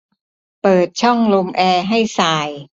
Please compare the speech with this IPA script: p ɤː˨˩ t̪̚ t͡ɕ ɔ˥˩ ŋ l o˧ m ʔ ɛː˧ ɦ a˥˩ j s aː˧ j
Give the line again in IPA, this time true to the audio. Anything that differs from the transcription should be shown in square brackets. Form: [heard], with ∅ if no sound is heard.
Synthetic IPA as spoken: p ɤː˨˩ t̪̚ [t͡ɕʰ] ɔ˥˩ ŋ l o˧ m ʔ ɛː˧ ɦ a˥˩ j s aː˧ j